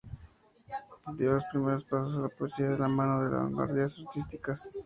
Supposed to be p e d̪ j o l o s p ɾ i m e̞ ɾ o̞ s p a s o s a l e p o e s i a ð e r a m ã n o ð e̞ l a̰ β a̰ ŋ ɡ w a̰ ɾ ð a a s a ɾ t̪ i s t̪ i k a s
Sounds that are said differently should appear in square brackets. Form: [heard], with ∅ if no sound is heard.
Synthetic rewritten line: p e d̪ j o l o s p ɾ i m e̞ ɾ o̞ s p a s o s a l [a] p o e s i a ð e [l] a m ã n o ð e̞ l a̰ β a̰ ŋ ɡ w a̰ ɾ ð [i] a s a ɾ t̪ i s t̪ i k a s

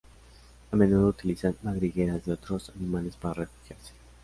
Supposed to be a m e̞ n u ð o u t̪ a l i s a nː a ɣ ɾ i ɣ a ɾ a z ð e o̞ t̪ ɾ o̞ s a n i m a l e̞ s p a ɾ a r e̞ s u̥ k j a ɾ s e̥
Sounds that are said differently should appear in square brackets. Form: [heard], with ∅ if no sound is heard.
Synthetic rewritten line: a m e̞ n u ð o u t̪ [i] l i s a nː a ɣ ɾ i ɣ [e] ɾ a z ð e o̞ t̪ ɾ o̞ s a n i m a l e̞ s p a ɾ a r e̞ [f] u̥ [x] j a ɾ s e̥

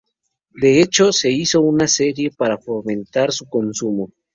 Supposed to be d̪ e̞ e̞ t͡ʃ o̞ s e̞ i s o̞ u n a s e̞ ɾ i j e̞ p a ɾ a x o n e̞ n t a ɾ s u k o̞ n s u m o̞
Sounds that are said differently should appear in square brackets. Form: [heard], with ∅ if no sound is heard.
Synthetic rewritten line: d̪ e̞ e̞ t͡ʃ o̞ s e̞ i s o̞ u n a s e̞ ɾ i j e̞ p a ɾ a [f] o [m] e̞ n t a ɾ s u k o̞ n s u m o̞

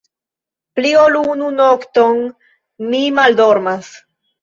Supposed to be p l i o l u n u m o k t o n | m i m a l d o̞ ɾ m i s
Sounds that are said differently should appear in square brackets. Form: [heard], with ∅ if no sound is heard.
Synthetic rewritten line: p l i o l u n u [n] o k t o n | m i m a l d o̞ ɾ m [a] s

